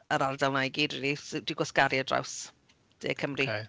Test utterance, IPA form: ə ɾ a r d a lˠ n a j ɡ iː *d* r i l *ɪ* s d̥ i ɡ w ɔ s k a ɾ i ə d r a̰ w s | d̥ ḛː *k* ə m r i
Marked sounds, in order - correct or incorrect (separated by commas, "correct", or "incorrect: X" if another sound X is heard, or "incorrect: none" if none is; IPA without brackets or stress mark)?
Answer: correct, incorrect: i, incorrect: kʰ